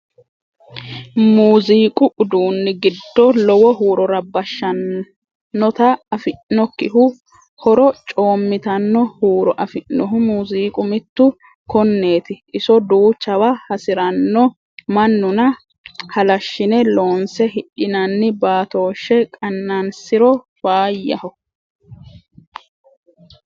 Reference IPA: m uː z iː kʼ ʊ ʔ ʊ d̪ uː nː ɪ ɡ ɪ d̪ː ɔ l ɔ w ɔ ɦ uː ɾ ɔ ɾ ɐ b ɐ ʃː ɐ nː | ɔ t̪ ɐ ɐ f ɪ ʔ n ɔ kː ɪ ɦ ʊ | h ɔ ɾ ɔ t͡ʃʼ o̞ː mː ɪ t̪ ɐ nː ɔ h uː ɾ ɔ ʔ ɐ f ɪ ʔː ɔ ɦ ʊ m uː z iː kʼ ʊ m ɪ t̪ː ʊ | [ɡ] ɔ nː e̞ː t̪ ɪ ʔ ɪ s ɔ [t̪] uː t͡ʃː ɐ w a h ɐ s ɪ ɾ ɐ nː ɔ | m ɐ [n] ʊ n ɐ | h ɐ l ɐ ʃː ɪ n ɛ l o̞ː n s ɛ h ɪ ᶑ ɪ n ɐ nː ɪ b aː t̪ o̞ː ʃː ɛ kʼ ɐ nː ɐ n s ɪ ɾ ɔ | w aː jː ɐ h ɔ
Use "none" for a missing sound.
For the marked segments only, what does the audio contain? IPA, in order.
k, d̪, nː

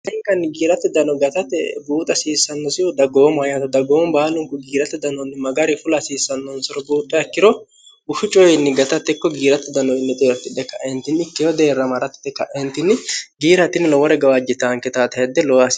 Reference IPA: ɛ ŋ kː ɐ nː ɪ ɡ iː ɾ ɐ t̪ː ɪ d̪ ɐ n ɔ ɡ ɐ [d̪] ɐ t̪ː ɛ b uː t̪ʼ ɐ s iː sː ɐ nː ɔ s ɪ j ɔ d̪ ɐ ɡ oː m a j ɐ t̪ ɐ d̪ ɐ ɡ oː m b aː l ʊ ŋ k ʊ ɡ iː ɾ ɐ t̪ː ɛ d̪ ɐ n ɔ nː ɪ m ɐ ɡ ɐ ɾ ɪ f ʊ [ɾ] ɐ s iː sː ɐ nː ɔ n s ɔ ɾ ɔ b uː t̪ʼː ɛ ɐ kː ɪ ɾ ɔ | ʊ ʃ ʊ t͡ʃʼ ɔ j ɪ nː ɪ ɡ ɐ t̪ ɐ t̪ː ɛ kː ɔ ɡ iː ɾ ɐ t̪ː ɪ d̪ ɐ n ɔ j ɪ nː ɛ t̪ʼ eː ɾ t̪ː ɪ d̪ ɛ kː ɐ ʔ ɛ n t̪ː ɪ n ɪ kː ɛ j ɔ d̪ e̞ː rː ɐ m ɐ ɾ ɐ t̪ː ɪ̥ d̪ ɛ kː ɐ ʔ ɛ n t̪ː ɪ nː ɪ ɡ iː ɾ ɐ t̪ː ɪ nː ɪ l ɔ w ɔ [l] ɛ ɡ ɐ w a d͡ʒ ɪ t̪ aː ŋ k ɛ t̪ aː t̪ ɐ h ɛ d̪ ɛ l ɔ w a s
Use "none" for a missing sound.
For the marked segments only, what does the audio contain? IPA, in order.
t̪, l, ɾ

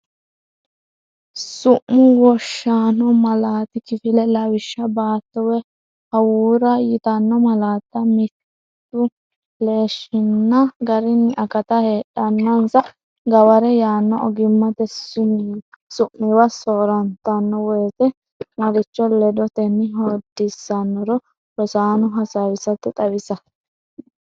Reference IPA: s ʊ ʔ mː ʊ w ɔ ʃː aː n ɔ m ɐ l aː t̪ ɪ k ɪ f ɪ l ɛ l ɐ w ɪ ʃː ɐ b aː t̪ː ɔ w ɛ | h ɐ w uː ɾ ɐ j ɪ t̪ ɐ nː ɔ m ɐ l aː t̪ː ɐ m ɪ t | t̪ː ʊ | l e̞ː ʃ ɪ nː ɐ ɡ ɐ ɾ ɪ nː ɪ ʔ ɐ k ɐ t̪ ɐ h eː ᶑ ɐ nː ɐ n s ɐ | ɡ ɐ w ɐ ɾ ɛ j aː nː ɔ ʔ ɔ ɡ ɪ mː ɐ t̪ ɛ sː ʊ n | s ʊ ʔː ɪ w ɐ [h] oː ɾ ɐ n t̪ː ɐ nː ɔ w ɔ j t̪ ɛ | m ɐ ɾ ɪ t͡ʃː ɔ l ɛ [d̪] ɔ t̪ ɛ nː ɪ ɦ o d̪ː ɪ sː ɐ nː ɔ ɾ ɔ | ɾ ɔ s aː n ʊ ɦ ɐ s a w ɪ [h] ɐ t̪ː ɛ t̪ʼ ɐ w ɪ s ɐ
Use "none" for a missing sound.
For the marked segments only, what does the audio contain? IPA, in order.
s, d̪, s

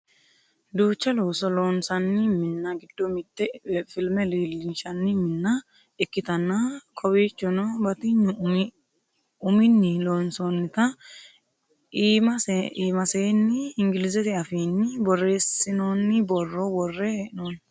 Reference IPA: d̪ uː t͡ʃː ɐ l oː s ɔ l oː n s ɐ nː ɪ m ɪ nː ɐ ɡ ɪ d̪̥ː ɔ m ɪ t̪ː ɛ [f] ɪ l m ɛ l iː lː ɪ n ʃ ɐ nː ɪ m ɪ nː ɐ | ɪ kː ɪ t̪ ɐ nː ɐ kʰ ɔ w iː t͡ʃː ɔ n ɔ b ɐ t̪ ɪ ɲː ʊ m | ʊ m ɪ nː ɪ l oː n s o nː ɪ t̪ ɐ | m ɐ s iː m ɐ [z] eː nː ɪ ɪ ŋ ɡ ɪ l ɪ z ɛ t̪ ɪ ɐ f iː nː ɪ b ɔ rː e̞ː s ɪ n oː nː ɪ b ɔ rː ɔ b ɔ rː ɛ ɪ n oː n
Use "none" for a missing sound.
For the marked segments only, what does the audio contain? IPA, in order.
f, s

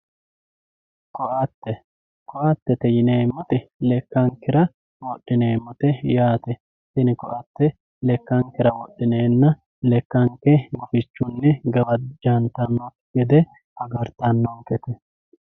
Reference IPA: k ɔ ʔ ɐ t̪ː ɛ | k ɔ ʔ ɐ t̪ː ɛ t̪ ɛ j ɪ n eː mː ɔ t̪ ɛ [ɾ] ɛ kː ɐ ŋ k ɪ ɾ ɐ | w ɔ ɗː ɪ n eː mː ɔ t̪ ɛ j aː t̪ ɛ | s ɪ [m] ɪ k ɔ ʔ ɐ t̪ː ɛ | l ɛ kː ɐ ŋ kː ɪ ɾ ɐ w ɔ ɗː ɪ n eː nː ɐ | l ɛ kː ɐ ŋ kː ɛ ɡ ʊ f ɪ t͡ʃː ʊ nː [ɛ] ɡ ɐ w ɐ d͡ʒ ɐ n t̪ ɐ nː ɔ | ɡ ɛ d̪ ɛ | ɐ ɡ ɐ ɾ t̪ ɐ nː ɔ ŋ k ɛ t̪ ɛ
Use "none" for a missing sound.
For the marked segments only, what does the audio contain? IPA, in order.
l, n, ɛ

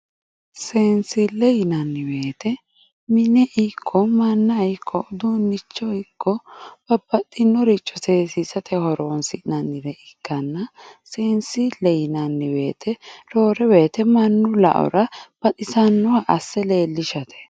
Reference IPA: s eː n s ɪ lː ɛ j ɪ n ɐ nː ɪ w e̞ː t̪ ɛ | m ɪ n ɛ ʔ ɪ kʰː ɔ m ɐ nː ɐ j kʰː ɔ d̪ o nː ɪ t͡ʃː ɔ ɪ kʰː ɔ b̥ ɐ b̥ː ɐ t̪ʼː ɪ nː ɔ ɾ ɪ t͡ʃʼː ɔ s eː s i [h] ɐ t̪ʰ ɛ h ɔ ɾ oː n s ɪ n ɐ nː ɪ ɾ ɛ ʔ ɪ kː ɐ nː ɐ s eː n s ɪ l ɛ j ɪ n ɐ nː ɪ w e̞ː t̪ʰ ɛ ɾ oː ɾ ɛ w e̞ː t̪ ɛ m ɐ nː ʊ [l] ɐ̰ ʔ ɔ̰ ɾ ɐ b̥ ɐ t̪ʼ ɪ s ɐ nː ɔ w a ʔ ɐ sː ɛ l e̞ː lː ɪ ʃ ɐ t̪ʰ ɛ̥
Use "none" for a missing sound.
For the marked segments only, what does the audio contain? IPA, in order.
s, l

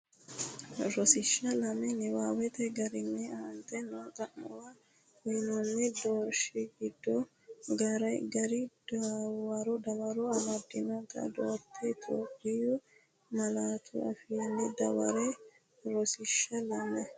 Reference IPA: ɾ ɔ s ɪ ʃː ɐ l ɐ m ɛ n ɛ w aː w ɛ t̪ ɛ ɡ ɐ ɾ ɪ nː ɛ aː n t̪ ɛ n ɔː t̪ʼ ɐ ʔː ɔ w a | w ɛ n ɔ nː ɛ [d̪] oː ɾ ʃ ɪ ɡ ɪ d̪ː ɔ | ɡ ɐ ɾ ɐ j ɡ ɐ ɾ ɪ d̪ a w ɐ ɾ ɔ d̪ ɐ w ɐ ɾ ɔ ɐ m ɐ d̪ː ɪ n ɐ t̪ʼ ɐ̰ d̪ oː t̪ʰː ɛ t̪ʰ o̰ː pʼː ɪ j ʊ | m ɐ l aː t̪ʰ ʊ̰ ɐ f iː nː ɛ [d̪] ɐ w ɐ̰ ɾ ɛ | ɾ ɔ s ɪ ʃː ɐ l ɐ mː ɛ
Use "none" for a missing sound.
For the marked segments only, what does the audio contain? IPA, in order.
d̪, d̪

